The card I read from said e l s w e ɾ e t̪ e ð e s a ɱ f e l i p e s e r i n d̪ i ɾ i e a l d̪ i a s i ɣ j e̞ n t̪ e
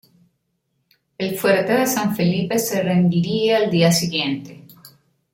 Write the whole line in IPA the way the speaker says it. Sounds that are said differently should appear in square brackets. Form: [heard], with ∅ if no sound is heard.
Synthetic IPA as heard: e l [f] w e ɾ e t̪ e ð e s a ɱ f e l i p e s e r [e] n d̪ i ɾ i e a l d̪ i a s i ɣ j e̞ n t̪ e